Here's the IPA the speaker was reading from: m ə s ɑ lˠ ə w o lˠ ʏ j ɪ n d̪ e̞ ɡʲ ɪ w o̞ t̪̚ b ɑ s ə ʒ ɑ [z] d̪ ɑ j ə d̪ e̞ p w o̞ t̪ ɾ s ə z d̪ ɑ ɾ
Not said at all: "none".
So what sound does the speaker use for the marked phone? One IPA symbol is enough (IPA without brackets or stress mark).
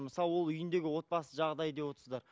ʁ